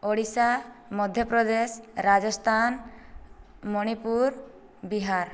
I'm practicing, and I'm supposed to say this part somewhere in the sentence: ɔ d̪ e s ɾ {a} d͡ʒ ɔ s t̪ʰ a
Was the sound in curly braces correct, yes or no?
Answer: yes